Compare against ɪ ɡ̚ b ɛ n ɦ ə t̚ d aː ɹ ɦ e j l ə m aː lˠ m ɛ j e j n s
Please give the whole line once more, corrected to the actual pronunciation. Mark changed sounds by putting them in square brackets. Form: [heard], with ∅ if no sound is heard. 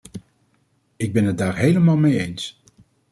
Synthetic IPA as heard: ɪ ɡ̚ b ɛ n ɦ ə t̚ d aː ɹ ɦ e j l ə m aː lˠ m [e] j e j n s